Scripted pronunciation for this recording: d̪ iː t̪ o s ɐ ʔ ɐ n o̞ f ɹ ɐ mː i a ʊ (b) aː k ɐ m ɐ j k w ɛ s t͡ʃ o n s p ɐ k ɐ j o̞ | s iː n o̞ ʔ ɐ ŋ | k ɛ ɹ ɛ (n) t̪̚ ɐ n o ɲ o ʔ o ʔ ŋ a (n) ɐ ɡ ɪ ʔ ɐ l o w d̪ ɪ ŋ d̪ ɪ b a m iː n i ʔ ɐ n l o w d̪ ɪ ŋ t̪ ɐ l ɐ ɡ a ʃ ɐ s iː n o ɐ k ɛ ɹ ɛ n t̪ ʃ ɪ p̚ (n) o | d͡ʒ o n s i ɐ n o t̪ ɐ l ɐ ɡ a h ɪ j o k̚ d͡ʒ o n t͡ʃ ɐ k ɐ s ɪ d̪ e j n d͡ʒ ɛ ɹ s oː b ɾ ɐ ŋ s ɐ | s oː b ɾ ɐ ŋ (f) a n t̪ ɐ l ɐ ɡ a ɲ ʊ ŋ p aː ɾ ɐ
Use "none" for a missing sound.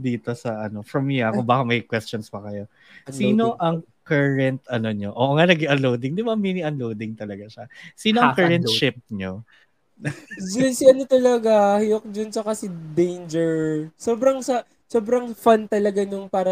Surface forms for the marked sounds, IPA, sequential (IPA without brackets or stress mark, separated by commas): b, n, n, ɲ, f